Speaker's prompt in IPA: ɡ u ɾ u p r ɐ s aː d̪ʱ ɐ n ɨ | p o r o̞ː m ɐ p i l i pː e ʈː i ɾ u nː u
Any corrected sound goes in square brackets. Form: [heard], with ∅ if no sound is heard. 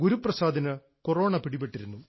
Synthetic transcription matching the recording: ɡ u ɾ u p r ɐ s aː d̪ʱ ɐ n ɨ | [k] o r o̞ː [ɳ] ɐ p i [ɽ] i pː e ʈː i ɾ u nː u